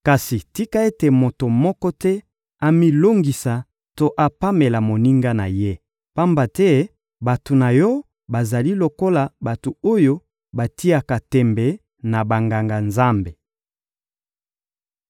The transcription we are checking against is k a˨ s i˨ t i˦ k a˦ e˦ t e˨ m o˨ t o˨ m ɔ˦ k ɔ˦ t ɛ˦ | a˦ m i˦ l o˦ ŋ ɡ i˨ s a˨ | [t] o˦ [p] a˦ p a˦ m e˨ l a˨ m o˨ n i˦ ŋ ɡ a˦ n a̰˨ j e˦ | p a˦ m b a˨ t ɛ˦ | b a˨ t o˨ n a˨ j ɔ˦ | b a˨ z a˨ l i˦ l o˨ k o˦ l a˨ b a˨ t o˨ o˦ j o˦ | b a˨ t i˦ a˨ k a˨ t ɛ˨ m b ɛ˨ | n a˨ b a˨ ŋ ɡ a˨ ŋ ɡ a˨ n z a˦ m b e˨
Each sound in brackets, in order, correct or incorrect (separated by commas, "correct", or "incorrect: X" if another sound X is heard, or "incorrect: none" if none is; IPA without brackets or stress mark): correct, incorrect: ʔ